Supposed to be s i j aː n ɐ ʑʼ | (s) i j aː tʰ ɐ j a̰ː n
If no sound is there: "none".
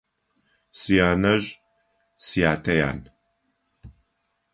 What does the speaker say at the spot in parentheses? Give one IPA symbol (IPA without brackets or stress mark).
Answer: s